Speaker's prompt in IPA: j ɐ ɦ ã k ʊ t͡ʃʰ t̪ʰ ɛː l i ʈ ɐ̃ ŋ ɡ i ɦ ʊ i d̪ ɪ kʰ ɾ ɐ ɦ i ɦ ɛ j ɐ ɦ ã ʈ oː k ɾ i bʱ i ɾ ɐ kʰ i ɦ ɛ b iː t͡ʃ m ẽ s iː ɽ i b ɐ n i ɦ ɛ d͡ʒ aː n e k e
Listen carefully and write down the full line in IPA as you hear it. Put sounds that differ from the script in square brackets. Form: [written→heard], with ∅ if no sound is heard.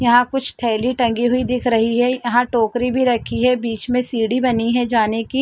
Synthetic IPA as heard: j ɐ ɦ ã k ʊ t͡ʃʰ t̪ʰ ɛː l i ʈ ɐ̃ ŋ ɡ i ɦ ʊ i d̪ ɪ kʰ ɾ ɐ ɦ i ɦ ɛ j ɐ ɦ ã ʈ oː k ɾ i bʱ i ɾ ɐ kʰ i ɦ ɛ b iː t͡ʃ m ẽ s iː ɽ i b ɐ n i ɦ ɛ d͡ʒ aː n e k [e→i]